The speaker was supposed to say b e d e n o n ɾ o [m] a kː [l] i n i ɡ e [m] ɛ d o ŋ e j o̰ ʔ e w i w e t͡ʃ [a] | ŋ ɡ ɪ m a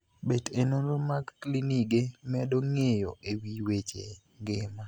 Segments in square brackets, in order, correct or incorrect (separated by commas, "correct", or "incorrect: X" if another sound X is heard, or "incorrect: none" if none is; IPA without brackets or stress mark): correct, correct, correct, incorrect: e